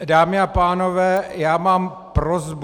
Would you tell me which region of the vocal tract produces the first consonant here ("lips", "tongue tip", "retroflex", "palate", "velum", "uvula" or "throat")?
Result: tongue tip